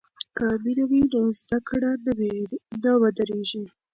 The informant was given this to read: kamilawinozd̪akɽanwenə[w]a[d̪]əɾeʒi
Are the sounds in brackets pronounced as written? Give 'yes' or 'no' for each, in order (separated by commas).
yes, yes